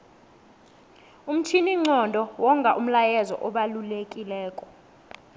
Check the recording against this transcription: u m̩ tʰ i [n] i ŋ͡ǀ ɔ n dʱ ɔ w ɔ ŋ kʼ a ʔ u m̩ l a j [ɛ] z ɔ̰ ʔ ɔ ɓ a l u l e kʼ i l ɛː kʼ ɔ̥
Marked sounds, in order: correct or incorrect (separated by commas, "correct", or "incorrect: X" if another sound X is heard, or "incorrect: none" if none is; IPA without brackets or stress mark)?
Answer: correct, correct